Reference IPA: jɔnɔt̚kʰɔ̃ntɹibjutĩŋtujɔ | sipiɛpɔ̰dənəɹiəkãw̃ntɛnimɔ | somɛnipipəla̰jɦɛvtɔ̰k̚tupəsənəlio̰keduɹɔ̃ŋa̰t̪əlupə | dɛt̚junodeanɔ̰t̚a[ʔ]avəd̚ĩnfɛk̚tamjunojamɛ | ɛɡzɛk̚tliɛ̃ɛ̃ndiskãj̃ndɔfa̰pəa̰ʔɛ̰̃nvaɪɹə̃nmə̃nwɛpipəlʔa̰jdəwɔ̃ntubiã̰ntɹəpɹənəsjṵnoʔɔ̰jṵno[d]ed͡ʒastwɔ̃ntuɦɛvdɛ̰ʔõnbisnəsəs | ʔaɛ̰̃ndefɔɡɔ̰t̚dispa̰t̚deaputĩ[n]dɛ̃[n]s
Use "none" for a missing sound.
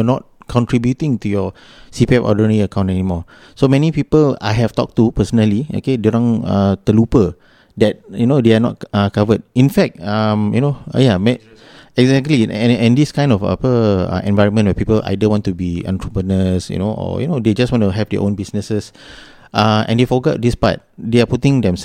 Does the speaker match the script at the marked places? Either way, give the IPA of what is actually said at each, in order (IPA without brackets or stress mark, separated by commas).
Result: k, d, ŋ, m